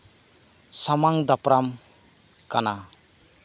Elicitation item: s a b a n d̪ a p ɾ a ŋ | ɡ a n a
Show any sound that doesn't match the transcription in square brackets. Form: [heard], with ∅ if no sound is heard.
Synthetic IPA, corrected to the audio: s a [m] a [ŋ] d̪ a p ɾ a [m] | [k] a n a